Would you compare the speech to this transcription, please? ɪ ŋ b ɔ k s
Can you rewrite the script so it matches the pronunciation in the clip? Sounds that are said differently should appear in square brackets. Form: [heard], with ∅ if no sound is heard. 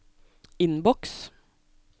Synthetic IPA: ɪ [n] b ɔ k s